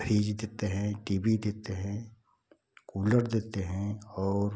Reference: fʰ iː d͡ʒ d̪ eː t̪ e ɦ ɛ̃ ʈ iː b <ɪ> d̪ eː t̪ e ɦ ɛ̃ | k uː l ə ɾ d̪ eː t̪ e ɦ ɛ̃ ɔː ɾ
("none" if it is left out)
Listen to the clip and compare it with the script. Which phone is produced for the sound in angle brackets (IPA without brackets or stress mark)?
i